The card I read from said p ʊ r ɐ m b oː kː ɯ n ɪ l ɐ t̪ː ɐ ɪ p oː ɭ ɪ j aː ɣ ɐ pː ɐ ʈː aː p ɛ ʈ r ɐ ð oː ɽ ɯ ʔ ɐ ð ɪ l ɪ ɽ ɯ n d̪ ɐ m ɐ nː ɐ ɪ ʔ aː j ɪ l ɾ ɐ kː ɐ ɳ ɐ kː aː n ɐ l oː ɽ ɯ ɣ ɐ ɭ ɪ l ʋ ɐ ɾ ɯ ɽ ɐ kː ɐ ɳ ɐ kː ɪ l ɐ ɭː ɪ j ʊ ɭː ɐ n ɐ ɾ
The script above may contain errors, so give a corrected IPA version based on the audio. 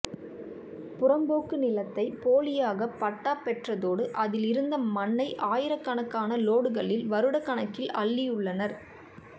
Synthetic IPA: p ʊ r ɐ m b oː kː ɯ n ɪ l ɐ t̪ː ɐ ɪ p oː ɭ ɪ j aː ɣ ɐ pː ɐ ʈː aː p ɛ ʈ r ɐ ð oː ɽ ɯ ʔ ɐ ð ɪ l ɪ ɾ ɯ n d̪ ɐ m ɐ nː ɐ ɪ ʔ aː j ɪ ɾ ɐ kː ɐ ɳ ɐ kː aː n ɐ l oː ɽ ɯ ɣ ɐ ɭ ɪ l ʋ ɐ ɾ ɯ ɽ ɐ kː ɐ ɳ ɐ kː ɪ l ɐ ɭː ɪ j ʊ ɭː ɐ n ɐ ɾ